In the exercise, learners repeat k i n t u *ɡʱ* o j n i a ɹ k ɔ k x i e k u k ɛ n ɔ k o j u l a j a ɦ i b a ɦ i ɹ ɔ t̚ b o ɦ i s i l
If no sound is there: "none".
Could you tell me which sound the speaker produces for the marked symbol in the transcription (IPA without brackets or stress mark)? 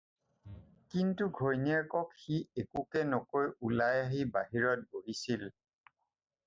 ɡʱ